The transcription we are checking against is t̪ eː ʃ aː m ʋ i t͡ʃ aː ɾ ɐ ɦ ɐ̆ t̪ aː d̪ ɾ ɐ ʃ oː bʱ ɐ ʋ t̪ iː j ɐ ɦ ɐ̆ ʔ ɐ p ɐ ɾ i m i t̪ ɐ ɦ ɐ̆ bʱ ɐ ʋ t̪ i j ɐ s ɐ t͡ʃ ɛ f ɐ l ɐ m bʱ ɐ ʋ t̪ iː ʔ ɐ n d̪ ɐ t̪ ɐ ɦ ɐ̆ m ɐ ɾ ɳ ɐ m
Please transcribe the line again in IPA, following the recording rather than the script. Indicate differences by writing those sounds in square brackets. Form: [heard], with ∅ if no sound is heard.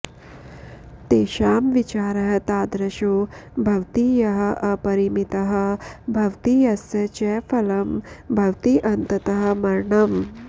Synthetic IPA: t̪ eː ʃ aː m ʋ i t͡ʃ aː ɾ ɐ ɦ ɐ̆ t̪ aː d̪ ɾ ɐ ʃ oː bʱ ɐ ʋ t̪ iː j ɐ ɦ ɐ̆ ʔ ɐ p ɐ ɾ i m i t̪ ɐ ɦ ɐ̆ bʱ ɐ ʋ t̪ i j ɐ s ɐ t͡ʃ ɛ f ɐ l ɐ m bʱ ɐ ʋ t̪ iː ʔ ɐ n [t̪] ɐ t̪ ɐ ɦ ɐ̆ m ɐ ɾ ɳ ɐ m